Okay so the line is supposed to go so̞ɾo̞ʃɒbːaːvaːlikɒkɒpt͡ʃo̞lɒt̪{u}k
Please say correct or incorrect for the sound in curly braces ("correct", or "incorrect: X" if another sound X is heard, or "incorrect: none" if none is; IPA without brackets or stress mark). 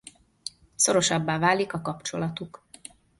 correct